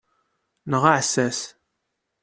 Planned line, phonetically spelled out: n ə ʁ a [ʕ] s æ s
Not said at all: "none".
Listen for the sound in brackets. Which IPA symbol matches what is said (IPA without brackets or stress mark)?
ʕ